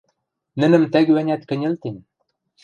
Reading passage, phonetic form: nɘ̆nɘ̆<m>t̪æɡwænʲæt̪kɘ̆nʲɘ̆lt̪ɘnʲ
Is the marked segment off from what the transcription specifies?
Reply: no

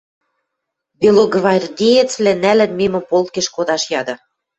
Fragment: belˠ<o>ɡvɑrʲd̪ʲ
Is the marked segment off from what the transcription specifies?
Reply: no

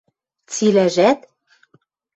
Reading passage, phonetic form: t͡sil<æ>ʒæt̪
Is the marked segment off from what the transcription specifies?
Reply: no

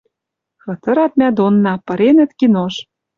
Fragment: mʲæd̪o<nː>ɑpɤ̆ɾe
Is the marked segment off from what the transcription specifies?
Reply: no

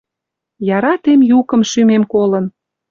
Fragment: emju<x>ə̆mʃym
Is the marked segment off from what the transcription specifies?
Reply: yes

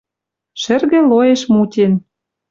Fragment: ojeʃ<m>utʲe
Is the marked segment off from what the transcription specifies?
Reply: no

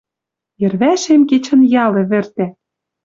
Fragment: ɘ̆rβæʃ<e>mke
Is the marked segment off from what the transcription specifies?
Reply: no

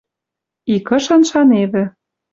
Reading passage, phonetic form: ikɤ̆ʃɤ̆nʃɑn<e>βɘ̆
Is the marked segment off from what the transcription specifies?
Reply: no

